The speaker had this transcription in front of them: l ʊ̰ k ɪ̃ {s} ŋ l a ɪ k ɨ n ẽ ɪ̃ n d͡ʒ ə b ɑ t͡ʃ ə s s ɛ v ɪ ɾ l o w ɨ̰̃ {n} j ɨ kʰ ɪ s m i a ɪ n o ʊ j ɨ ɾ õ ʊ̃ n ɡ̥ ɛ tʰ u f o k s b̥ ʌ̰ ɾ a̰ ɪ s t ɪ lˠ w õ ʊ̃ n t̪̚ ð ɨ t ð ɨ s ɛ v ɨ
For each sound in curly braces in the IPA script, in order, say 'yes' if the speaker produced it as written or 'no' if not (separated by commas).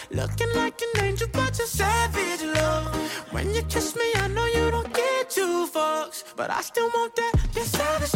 no, yes